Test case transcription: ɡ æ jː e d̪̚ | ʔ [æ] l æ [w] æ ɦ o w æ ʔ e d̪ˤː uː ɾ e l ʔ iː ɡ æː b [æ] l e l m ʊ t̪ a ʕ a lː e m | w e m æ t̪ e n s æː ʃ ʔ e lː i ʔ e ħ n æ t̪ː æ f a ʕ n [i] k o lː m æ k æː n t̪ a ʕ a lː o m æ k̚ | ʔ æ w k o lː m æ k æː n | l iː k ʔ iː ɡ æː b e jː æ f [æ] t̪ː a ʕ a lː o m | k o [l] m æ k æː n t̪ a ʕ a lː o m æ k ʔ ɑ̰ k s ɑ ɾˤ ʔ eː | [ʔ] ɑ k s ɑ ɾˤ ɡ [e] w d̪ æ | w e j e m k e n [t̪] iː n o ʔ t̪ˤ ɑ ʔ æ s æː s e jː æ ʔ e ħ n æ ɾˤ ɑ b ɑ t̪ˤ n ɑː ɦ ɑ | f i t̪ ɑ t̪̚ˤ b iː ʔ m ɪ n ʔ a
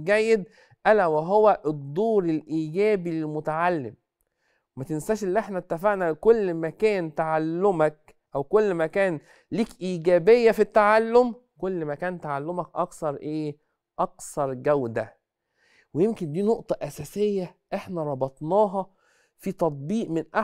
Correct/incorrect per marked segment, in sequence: correct, correct, incorrect, incorrect, incorrect, incorrect, correct, incorrect, incorrect

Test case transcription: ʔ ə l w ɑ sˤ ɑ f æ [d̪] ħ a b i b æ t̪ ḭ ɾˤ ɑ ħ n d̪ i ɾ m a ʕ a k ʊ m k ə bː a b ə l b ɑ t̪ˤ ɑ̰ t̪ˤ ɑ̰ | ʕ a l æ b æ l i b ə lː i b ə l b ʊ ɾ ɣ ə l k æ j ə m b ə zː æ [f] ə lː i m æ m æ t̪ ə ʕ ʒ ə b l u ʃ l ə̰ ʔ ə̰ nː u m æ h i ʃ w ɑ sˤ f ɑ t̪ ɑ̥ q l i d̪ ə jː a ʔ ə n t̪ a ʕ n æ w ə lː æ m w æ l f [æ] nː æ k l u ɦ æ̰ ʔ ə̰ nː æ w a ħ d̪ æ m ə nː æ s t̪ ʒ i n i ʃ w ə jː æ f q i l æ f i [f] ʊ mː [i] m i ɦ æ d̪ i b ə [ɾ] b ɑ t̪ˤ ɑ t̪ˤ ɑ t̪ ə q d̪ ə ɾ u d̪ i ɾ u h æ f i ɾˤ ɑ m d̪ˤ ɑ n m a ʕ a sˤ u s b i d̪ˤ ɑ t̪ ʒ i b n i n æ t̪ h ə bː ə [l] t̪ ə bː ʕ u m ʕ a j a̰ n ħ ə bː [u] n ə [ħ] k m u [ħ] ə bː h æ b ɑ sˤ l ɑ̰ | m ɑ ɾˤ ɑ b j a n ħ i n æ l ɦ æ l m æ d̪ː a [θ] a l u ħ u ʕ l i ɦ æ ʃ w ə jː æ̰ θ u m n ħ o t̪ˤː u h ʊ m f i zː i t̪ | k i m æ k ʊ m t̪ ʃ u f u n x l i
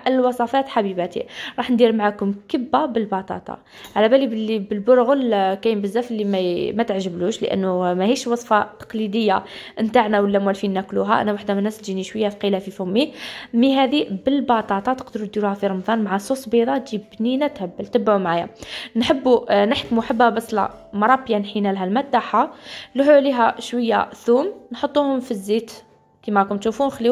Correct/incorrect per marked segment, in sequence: incorrect, correct, incorrect, correct, correct, incorrect, correct, correct, correct, correct, incorrect

